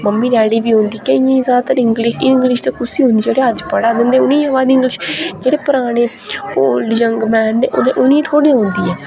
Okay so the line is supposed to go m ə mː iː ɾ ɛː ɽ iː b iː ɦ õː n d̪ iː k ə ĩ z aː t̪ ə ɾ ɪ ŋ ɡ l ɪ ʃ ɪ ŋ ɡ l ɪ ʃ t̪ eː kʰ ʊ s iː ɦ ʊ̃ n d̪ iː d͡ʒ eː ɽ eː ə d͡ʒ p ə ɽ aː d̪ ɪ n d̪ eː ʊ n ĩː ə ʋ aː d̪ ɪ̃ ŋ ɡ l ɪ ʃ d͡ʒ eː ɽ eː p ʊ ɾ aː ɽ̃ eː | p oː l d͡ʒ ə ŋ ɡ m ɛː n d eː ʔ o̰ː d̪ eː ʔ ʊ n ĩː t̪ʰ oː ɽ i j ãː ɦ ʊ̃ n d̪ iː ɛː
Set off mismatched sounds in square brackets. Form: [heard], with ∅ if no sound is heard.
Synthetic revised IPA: m ə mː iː ɾ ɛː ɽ iː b iː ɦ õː n d̪ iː k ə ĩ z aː t̪ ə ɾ ɪ ŋ ɡ l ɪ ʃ ɪ ŋ ɡ l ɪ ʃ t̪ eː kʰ ʊ s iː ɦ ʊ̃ n d̪ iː d͡ʒ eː ɽ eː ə d͡ʒ p ə ɽ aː d̪ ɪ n d̪ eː ʊ n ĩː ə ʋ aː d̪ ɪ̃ ŋ ɡ l ɪ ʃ d͡ʒ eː ɽ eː p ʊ ɾ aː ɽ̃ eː | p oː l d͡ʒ ə ŋ ɡ m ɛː n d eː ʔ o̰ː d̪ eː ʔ ʊ n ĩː t̪ʰ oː ɽ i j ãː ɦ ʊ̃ n d̪ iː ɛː